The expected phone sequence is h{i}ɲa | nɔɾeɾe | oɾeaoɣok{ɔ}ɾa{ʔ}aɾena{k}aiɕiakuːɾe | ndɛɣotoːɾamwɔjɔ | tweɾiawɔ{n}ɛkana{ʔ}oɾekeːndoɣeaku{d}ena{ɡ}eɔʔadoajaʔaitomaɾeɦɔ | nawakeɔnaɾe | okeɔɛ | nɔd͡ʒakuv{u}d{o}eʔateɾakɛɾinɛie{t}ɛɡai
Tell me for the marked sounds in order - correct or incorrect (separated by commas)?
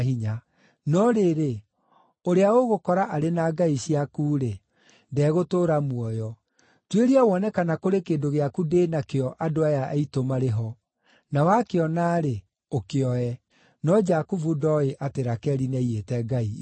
correct, correct, correct, incorrect, correct, incorrect, correct, incorrect, correct, incorrect, correct